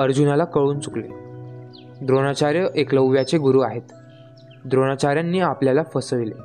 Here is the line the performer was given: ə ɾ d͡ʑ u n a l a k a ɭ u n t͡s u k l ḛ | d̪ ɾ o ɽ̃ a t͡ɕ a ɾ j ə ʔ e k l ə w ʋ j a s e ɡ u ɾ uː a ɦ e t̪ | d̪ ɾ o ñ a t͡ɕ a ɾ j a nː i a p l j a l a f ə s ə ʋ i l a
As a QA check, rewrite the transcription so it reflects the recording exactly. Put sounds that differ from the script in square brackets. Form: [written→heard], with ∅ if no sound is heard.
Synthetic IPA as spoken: ə ɾ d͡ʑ u n a l a k [a→ə] ɭ [u→uː] n t͡s u k l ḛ | d̪ ɾ o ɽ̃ a t͡ɕ a ɾ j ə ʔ e k l ə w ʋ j a [s→t͡s] e ɡ u ɾ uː a ɦ e t̪ | d̪ ɾ o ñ a t͡ɕ a ɾ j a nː [i→iː] a p l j a l a f ə s ə ʋ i l [a→e]